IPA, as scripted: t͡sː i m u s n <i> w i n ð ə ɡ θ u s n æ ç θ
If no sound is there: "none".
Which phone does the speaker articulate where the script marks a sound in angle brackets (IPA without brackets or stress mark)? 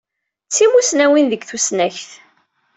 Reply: æ